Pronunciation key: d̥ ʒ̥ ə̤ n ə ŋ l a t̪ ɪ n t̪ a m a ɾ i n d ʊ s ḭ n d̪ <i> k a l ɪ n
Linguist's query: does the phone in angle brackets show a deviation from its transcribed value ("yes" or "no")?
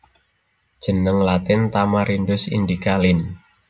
no